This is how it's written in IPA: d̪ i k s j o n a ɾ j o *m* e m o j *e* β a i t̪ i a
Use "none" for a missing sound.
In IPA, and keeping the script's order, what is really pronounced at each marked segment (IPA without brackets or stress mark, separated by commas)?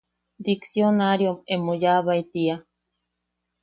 m, a